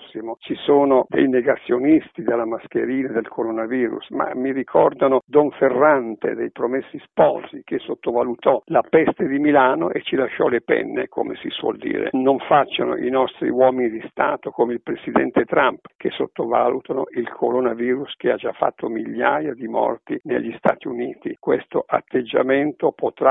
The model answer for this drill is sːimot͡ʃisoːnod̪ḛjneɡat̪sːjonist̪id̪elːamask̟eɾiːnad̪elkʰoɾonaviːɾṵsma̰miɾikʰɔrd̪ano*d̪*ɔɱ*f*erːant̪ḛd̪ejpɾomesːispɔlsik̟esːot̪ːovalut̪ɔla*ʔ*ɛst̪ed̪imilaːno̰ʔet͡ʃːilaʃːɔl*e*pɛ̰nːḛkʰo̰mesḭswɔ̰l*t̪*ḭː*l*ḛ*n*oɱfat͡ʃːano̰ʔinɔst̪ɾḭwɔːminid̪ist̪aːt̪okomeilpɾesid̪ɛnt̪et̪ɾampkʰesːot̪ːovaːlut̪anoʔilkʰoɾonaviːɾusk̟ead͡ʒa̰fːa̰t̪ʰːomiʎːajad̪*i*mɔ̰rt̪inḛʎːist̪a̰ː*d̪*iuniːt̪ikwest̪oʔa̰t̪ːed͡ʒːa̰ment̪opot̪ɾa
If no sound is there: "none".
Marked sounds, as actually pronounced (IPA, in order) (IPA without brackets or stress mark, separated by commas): d̪, f, p, e, d̪, ɾ, n, i, t̪